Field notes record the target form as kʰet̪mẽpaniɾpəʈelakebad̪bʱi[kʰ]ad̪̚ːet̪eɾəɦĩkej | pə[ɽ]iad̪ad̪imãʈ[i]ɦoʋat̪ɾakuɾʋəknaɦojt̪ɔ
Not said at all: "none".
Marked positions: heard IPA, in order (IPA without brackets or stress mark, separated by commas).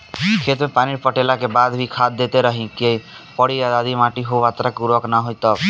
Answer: kʰ, ɽ, i